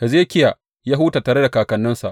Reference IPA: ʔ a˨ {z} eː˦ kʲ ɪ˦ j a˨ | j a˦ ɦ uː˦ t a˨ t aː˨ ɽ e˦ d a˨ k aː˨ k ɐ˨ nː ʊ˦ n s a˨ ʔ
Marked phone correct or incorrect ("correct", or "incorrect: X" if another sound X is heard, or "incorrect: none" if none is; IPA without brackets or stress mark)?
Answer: correct